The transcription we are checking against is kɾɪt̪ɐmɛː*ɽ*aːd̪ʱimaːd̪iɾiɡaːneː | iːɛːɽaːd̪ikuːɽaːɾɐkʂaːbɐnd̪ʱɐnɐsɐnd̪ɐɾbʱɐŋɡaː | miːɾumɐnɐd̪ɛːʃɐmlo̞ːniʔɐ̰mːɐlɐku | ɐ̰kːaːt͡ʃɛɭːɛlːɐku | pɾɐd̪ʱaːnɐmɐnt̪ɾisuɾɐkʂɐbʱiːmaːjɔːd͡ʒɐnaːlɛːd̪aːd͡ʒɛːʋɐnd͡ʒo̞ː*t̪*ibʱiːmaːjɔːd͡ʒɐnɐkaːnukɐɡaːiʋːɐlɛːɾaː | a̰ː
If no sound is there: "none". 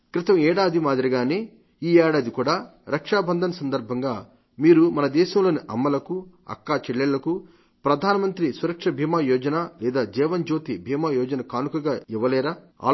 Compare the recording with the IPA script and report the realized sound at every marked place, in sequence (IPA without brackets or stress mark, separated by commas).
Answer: ɽ, t̪